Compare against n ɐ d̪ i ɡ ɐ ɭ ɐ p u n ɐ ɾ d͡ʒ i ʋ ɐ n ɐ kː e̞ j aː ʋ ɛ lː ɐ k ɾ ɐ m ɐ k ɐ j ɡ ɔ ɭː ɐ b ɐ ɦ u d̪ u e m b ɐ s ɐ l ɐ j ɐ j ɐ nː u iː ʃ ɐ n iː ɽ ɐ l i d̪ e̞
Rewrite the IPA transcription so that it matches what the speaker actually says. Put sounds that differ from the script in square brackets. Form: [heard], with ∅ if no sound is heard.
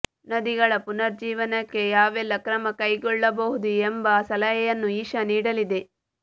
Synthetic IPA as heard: n ɐ d̪ i ɡ ɐ ɭ ɐ p u n ɐ ɾ d͡ʒ [iː] ʋ ɐ n ɐ kː e̞ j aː ʋ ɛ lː ɐ k ɾ ɐ m ɐ k ɐ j ɡ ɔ ɭː ɐ b ɐ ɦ u d̪ u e m b ɐ s ɐ l ɐ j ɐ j ɐ nː u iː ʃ ɐ n iː ɽ ɐ l i d̪ e̞